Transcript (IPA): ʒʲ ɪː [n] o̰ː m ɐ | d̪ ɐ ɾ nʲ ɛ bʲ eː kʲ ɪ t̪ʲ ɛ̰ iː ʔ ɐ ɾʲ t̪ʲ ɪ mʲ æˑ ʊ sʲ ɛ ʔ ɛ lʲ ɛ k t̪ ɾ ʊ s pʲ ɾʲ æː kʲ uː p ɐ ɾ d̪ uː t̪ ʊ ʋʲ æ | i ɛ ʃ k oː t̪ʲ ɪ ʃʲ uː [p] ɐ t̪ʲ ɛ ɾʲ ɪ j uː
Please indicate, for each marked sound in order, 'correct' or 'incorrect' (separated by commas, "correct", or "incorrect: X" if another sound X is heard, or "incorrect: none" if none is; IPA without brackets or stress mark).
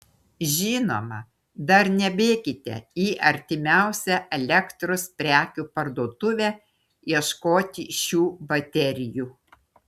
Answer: correct, incorrect: b